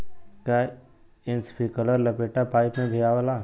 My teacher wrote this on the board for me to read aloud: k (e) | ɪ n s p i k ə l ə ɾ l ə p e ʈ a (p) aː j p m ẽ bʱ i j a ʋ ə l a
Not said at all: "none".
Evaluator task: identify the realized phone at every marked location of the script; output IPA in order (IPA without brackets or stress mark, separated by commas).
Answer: a, p